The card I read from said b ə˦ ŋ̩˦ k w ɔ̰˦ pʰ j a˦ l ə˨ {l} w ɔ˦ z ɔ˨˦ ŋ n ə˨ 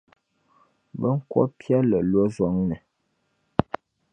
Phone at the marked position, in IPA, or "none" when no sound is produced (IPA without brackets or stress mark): l